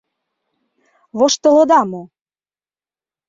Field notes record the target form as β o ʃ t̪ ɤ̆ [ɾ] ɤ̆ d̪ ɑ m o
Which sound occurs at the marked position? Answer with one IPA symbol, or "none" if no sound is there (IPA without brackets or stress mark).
l